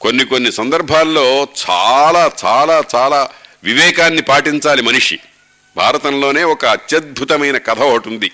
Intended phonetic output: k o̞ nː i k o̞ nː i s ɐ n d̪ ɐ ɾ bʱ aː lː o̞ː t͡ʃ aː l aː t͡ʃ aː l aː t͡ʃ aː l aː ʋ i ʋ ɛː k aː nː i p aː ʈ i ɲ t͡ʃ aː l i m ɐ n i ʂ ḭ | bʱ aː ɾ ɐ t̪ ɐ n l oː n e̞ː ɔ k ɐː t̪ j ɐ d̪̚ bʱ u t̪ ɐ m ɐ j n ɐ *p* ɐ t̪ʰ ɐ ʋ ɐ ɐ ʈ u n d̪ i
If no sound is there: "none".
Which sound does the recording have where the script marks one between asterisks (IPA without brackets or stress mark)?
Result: k